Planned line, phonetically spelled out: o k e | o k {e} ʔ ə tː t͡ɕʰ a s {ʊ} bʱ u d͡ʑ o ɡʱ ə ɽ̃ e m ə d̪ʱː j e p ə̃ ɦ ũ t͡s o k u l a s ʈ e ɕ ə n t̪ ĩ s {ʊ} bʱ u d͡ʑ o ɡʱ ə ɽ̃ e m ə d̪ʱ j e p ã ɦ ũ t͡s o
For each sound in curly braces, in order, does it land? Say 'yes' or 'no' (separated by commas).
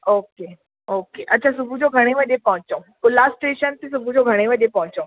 yes, no, no